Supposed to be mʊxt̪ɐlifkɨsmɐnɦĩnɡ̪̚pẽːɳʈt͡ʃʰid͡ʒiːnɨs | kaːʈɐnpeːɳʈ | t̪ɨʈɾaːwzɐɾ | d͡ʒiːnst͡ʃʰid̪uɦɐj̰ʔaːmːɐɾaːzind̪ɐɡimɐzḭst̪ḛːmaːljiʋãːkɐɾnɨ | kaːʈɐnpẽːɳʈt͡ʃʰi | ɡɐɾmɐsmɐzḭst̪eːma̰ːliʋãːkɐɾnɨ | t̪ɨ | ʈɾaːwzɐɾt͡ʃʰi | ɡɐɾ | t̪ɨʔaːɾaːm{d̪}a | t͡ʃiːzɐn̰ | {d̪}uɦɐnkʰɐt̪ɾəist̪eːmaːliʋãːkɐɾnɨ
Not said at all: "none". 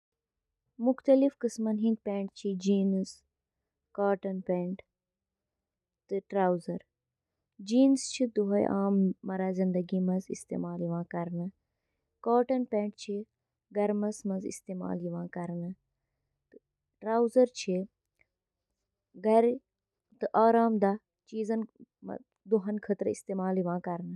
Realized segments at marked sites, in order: d̪, d̪

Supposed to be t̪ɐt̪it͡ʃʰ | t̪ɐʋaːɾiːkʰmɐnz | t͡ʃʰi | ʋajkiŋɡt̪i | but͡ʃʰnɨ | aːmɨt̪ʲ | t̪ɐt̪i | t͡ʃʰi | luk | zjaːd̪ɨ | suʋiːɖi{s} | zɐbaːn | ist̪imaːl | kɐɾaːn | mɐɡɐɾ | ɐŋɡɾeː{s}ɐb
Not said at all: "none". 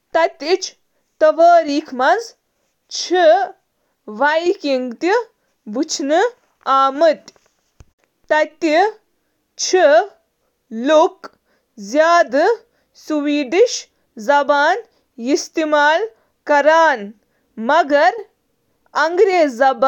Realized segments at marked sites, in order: ʃ, z

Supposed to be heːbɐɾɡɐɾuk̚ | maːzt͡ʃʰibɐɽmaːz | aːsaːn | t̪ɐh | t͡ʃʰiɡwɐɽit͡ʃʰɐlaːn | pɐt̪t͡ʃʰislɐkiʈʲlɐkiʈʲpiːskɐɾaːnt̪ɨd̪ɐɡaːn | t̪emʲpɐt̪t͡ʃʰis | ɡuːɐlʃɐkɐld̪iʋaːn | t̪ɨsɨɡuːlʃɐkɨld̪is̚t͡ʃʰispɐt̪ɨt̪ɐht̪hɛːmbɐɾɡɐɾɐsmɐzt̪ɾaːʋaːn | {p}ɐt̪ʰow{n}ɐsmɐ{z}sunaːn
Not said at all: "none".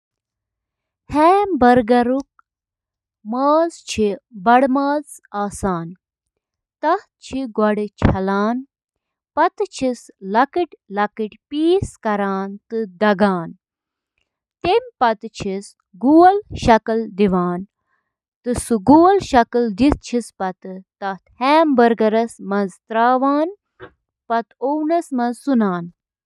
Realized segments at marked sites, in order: p, n, z

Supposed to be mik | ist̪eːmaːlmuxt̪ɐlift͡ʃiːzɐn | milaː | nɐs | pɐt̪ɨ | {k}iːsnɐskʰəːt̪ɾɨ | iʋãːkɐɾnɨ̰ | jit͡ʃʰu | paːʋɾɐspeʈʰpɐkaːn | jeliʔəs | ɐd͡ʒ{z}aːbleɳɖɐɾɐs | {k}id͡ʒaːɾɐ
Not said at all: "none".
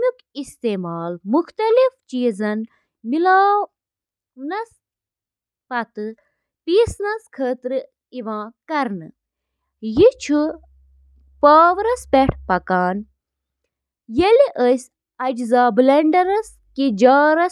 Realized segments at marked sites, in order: p, z, k

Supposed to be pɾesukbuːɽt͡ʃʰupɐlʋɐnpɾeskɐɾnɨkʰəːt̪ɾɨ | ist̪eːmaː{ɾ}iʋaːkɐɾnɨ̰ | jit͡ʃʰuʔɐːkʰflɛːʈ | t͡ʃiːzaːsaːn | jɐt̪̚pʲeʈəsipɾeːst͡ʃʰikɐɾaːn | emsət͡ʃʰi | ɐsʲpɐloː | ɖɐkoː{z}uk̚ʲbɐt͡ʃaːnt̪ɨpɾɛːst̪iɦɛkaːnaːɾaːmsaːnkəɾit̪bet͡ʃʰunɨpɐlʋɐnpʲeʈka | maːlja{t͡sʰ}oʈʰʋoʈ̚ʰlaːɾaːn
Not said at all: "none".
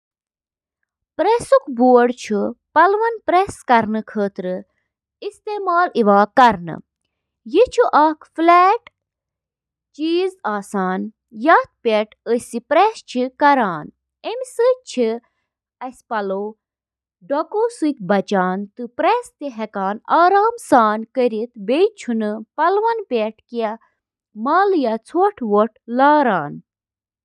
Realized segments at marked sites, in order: l, s, t͡sʰ

